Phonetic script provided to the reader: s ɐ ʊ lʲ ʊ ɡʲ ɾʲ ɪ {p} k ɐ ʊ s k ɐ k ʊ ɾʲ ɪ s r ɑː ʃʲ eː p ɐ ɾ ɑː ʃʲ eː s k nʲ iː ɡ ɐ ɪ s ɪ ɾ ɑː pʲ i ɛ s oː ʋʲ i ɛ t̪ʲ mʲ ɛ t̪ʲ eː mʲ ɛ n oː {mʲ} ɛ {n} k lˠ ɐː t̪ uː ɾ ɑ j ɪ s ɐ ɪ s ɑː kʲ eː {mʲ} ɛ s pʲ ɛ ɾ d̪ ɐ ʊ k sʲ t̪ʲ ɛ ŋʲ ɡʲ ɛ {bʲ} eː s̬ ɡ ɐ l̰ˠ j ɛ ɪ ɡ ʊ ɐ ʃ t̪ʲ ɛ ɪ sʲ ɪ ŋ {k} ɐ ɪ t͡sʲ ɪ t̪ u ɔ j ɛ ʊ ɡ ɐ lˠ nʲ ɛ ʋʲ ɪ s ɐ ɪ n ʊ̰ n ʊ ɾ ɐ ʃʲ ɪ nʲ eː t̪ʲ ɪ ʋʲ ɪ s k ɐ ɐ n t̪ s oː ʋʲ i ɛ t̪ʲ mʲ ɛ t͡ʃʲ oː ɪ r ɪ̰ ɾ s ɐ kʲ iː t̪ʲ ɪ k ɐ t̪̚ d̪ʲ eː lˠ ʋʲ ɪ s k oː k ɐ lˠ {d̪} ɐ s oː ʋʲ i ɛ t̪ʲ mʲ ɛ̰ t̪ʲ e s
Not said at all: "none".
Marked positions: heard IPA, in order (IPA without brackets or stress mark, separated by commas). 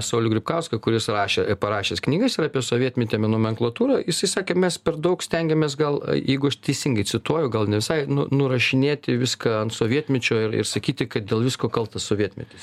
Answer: p, mʲ, ŋ, mʲ, mʲ, ɡ, t̪